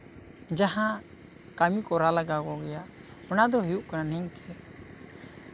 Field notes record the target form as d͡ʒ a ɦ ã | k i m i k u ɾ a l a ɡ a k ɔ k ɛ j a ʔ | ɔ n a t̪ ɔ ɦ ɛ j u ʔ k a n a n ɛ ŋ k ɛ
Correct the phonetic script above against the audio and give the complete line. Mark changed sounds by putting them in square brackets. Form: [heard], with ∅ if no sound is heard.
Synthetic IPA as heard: d͡ʒ a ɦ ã | k [a] m i k [ɔ] ɾ a l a ɡ a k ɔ [ɡ] ɛ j a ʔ | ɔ n a [d̪] ɔ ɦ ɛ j u ʔ k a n a n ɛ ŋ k ɛ